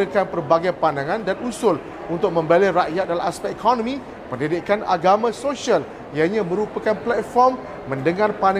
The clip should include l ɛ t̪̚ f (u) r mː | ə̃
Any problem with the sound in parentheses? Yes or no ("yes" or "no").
yes